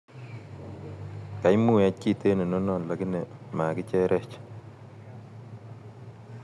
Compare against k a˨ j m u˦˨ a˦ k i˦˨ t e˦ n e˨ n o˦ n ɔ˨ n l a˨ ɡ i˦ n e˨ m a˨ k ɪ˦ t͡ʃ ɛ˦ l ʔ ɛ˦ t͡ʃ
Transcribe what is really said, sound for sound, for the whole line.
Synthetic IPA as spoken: k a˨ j m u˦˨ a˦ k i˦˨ t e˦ n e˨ n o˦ n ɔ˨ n l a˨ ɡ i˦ n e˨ m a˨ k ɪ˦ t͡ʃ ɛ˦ ɾ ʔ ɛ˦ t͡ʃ

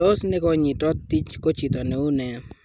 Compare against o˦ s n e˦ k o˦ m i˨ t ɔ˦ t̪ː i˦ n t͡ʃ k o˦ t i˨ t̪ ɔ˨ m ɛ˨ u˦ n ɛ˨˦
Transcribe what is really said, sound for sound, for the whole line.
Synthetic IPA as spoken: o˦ s n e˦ k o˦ ɲ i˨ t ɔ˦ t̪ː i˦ t͡ʃ k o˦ t͡ʃ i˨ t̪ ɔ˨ n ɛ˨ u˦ n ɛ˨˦

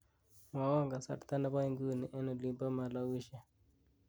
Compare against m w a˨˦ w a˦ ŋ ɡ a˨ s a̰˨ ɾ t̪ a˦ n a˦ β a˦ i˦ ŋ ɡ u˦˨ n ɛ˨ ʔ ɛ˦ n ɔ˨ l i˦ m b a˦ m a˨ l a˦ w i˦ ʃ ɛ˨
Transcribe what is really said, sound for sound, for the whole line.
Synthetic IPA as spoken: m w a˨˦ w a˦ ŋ ɡ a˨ s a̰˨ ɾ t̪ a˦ n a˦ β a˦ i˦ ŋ ɡ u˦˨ n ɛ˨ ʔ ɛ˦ n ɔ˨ l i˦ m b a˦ m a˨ l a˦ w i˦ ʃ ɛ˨

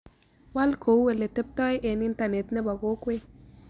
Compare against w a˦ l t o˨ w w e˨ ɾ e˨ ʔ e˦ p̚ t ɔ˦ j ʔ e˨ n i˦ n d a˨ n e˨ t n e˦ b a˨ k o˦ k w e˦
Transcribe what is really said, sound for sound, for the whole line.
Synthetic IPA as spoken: w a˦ l k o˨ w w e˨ l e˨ t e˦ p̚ t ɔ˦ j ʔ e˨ n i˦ n t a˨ n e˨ t n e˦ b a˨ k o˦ k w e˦

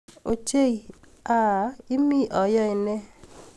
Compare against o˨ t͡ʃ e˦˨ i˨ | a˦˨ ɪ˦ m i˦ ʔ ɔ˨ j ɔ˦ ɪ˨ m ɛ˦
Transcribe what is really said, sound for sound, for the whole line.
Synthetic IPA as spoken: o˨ t͡ʃ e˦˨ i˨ | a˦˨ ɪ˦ m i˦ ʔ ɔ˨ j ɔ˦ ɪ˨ n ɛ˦

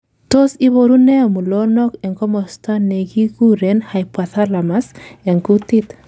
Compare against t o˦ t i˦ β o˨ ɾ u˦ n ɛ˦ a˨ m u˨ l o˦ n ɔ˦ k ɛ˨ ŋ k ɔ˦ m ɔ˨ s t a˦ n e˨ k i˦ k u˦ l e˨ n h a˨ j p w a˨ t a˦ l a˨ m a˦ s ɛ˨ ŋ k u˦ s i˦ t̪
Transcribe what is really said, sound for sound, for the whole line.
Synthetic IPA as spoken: t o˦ s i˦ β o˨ ɾ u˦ n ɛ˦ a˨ m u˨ l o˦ n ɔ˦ k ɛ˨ ŋ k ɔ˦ m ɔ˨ s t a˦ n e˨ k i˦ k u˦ ɾ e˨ n h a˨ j p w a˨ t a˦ l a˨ m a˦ s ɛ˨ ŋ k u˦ t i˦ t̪

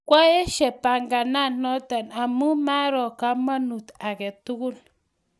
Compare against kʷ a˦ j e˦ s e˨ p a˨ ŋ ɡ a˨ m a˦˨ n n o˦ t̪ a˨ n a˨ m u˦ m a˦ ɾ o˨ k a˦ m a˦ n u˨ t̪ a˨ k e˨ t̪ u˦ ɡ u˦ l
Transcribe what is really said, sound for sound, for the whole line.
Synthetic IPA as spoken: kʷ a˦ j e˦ ʃ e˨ p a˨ ŋ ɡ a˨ n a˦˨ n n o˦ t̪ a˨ n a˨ m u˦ m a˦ ɾ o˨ k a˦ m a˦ n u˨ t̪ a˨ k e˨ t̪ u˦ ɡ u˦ l

